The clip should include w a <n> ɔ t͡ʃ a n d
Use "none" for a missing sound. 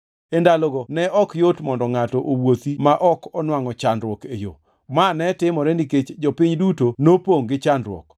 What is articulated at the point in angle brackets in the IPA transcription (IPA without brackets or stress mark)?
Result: ŋ